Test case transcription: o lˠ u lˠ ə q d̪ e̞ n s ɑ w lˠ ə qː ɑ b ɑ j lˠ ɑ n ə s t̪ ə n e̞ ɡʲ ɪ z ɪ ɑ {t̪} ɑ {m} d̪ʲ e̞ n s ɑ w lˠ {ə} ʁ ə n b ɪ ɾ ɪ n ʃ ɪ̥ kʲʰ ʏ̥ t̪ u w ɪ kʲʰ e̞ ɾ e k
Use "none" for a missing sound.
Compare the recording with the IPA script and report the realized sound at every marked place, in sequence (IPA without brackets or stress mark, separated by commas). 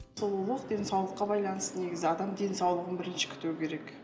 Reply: d̪, m, ə